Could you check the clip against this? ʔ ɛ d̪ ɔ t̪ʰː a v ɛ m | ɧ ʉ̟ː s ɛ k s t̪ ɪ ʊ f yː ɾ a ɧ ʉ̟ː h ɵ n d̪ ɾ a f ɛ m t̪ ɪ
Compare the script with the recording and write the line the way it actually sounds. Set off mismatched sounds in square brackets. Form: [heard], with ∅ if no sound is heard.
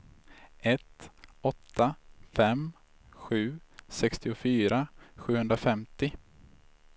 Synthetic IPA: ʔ ɛ [t̪] ɔ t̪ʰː a [f] ɛ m | ɧ ʉ̟ː s ɛ k s t̪ ɪ ʊ f yː ɾ a ɧ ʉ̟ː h ɵ n d̪ ɾ a f ɛ m t̪ ɪ